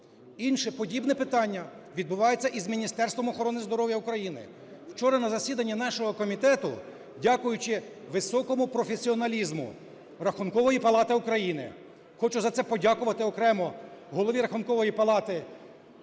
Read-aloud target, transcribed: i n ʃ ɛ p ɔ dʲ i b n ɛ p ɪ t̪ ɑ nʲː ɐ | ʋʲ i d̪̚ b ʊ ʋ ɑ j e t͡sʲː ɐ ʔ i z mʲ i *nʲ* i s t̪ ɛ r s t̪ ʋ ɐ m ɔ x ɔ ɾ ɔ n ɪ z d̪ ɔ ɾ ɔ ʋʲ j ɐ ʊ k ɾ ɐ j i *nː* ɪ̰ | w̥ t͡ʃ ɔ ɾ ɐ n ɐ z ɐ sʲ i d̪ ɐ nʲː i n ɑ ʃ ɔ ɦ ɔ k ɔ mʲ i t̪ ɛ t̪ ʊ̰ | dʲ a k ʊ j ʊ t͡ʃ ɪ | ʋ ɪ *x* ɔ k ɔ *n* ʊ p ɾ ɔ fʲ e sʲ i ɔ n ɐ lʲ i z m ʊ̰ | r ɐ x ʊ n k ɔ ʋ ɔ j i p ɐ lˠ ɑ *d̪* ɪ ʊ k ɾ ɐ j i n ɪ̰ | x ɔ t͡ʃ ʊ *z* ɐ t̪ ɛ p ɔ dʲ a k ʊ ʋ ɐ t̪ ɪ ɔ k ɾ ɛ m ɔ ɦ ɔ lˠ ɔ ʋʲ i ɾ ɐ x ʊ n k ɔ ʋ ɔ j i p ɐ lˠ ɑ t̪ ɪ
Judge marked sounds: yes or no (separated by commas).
yes, no, no, no, no, yes